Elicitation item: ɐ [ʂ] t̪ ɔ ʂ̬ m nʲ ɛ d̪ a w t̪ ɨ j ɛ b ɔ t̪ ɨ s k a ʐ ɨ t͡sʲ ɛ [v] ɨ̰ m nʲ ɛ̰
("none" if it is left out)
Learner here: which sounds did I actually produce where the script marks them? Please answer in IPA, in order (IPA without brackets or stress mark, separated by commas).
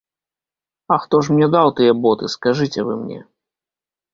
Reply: x, v